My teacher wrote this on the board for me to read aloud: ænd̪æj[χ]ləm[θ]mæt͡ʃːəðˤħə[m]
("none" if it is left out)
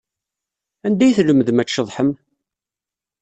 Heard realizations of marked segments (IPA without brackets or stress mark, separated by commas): θ, ð, m